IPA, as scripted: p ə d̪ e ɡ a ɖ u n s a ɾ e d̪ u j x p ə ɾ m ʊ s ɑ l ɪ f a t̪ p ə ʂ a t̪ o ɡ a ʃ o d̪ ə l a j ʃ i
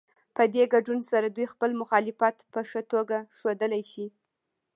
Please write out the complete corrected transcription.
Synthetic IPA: p ə d̪ e ɡ a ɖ u n s a ɾ a d̪ u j x p ə l m ʊ x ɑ l ɪ f a t̪ p ə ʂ ə t̪ o ɡ a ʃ o d̪ ə l a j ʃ i